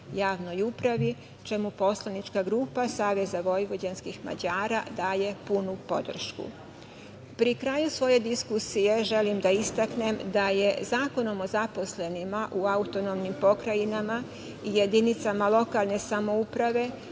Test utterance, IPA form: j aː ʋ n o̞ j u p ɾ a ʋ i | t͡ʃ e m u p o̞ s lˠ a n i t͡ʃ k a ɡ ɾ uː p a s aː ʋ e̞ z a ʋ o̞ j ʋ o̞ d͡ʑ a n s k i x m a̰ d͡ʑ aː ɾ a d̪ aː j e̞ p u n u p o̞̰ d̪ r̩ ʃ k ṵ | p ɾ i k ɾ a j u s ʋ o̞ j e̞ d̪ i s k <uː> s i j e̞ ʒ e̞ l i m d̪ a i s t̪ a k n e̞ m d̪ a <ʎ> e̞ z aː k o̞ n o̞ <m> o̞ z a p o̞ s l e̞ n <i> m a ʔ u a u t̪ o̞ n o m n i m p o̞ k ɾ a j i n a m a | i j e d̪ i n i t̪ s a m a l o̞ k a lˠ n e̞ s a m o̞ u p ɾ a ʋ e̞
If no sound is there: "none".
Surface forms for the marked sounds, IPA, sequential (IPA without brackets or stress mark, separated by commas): u, j, m, i